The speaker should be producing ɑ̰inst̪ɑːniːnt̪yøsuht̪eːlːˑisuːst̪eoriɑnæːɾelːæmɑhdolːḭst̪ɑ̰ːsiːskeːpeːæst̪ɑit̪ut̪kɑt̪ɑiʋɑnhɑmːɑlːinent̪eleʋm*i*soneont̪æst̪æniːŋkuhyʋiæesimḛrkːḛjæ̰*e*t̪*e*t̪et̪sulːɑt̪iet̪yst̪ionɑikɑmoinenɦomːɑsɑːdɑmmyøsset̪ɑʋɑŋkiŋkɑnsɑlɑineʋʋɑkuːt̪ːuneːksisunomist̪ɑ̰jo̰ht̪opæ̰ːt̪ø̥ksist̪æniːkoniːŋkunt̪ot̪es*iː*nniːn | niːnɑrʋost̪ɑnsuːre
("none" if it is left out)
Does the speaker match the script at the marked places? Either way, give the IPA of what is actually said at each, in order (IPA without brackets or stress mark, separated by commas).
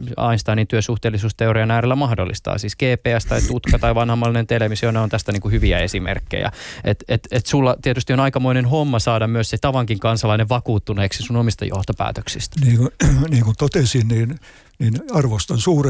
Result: i, e, e, i